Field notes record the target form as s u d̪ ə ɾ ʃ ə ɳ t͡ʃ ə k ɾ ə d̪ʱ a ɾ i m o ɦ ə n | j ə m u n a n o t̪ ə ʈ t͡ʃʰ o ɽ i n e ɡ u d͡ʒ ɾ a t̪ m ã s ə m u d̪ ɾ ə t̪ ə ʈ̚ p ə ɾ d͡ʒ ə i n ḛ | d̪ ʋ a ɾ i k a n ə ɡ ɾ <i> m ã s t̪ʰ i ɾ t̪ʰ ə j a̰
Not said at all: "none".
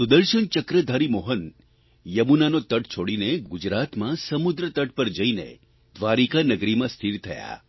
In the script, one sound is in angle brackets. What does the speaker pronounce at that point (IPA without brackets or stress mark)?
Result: i